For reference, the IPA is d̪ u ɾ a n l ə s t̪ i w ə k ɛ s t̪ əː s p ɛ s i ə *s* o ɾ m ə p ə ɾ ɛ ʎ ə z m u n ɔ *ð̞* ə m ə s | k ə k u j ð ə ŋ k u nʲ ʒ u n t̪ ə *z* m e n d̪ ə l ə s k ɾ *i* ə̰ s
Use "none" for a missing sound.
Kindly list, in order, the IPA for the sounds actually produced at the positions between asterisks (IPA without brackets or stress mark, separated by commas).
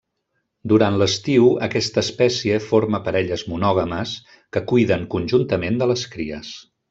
f, ɣ̞, none, i